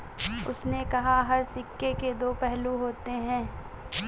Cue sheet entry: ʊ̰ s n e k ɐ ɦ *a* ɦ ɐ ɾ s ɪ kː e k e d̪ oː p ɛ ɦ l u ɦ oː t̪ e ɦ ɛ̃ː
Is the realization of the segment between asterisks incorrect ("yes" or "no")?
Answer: no